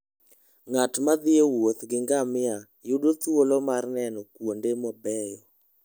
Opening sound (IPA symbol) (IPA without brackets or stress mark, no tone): ŋ